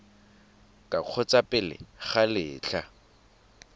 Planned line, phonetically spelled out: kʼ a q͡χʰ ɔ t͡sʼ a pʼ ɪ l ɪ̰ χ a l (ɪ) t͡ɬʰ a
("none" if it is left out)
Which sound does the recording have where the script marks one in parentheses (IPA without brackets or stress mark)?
ɪː